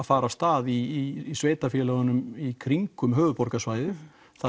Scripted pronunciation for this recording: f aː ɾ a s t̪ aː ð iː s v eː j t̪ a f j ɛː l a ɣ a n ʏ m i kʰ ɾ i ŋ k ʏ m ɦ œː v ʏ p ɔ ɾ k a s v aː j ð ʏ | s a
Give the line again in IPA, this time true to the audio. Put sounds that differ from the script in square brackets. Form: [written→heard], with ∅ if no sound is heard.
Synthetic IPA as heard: f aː ɾ a s t̪ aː ð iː s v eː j t̪ a f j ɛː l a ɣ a n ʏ m i kʰ ɾ i ŋ k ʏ m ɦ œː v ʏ p ɔ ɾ k a s v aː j ð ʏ | [s→θ] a

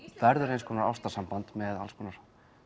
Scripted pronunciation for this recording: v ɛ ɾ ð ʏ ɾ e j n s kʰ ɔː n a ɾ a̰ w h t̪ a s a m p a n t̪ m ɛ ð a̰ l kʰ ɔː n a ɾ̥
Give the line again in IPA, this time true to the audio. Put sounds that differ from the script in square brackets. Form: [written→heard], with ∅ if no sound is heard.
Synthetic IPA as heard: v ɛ ɾ ð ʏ ɾ e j n s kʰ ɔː n a ɾ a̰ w [h→s] t̪ a s a m p a n t̪ m ɛ ð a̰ l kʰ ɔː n a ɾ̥

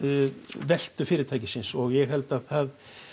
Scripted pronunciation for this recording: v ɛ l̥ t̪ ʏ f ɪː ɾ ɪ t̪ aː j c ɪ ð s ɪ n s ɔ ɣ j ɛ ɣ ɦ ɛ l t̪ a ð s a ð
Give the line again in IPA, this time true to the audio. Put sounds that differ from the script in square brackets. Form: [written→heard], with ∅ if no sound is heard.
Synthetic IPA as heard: v ɛ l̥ t̪ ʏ f ɪː ɾ ɪ [t̪→t̪ʰ] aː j c ɪ [ð→∅] s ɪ n s ɔ ɣ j ɛ ɣ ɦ ɛ l t̪ a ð [s→θ] a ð

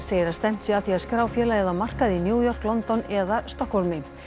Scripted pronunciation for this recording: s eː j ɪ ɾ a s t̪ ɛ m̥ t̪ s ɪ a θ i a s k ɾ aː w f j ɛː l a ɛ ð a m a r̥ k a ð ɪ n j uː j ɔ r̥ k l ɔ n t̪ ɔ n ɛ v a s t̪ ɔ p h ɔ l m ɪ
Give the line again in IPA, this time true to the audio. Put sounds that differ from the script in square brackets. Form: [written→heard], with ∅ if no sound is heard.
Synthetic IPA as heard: s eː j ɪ ɾ a s t̪ ɛ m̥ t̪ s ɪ a θ i a s k ɾ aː w f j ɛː l a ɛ ð a m a r̥ k a ð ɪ n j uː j ɔ r̥ k l ɔ n t̪ ɔ n ɛ [v→ð] a s t̪ ɔ [p→k] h ɔ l m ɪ

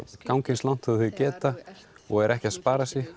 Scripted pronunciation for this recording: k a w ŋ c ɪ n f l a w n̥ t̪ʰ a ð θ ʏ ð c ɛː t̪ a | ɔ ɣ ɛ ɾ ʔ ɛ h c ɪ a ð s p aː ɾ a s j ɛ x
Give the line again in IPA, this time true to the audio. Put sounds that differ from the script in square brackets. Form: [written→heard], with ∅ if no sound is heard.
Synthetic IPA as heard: k a w ŋ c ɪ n [f→s] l a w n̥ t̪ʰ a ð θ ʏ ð c ɛː t̪ a | ɔ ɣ ɛ ɾ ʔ ɛ h c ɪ a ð s p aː ɾ a s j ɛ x

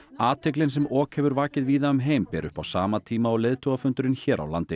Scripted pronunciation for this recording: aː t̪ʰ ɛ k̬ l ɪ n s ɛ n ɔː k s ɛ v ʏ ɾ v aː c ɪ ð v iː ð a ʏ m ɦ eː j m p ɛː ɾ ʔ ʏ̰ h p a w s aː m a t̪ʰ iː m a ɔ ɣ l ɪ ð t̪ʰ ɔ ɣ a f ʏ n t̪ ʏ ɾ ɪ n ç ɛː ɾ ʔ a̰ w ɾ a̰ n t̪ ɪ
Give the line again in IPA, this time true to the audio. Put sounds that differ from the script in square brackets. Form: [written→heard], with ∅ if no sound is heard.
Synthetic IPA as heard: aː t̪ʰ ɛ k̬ l ɪ n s ɛ [n→m] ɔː k [s→h] ɛ v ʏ ɾ v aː c ɪ ð v iː ð a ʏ m ɦ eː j m p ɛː ɾ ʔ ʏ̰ h p a w s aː m a t̪ʰ iː m a ɔ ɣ l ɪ ð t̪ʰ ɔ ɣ a f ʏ n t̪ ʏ ɾ ɪ n ç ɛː ɾ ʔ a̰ w [ɾ→l] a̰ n t̪ ɪ

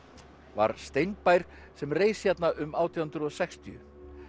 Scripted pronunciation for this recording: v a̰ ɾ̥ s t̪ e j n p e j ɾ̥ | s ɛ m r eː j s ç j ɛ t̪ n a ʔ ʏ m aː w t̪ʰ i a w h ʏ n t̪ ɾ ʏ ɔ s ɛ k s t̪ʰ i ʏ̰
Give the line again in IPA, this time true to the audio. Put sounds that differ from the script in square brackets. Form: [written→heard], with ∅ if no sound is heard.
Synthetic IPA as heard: v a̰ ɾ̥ s t̪ e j n p [e→a] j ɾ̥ | s ɛ m r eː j s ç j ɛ t̪ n a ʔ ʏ m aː w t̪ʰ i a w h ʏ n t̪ ɾ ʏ ɔ s ɛ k s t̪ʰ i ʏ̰

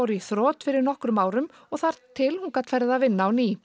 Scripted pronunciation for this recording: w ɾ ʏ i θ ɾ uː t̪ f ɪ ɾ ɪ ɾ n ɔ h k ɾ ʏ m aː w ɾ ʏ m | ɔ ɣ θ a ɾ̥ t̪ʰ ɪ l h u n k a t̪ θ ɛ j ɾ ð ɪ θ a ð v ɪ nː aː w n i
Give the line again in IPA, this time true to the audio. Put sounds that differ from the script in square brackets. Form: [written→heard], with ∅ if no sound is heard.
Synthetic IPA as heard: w ɾ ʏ i θ ɾ [uː→ɔː] t̪ f ɪ ɾ ɪ ɾ n ɔ h k ɾ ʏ m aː w ɾ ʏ m | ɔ ɣ θ a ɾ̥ t̪ʰ ɪ l h u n k a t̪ [θ→f] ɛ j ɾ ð ɪ [θ→ð] a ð v ɪ nː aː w n i

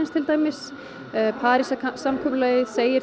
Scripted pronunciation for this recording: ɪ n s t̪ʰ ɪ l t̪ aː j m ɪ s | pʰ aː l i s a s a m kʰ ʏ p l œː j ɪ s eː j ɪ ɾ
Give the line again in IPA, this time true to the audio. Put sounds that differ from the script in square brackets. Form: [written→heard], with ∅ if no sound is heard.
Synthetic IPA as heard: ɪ n s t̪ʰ ɪ l t̪ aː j m ɪ s | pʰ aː [l→ɾ] i s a s a m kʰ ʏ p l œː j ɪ s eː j ɪ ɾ

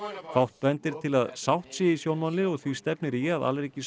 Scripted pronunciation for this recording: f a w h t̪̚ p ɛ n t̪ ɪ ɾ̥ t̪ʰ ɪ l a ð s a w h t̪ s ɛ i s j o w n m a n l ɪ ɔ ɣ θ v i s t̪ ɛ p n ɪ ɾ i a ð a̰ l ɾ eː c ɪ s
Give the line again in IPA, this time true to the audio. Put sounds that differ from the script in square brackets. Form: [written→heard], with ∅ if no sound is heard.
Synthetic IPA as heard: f a w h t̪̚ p ɛ n t̪ ɪ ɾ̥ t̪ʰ ɪ l a ð s a w h t̪ s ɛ i s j o w n m a n l ɪ ɔ ɣ θ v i s t̪ ɛ p n ɪ ɾ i a ð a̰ l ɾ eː c ɪ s

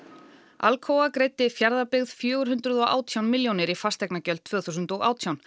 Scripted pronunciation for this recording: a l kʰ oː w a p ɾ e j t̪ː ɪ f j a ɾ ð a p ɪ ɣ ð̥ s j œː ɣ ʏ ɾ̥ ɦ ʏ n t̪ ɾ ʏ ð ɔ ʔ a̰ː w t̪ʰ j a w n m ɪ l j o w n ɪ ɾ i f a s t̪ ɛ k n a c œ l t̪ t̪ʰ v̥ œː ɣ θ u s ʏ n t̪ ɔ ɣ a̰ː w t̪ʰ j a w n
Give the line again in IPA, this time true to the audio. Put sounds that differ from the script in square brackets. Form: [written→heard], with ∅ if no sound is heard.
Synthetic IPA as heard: a l kʰ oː w a [p→k] ɾ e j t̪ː ɪ f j a ɾ ð a p ɪ ɣ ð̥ [s→f] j œː ɣ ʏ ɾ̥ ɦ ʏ n t̪ ɾ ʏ ð ɔ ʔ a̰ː w t̪ʰ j a w n m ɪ l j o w n ɪ ɾ i f a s t̪ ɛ k n a c œ l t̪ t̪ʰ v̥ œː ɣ θ u s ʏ n t̪ ɔ ɣ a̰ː w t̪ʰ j a w n

